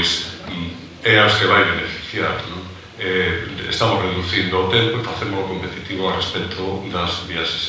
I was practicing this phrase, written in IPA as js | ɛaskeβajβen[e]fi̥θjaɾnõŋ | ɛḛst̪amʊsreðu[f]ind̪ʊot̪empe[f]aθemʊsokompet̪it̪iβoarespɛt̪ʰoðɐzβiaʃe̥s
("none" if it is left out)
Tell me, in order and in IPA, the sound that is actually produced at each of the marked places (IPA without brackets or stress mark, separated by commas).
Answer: e, θ, f